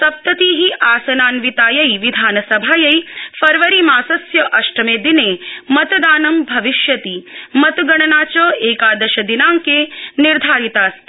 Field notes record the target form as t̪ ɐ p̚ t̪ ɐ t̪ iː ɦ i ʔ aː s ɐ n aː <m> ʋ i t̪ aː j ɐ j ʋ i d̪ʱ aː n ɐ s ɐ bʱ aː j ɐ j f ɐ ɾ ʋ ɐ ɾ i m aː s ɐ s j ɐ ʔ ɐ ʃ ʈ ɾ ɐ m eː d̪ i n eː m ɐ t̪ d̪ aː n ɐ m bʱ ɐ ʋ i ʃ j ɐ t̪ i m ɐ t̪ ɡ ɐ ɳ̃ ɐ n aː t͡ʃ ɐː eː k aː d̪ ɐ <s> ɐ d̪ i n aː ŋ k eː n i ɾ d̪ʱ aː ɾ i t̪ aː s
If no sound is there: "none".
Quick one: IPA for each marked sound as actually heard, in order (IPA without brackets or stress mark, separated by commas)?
n, ʃ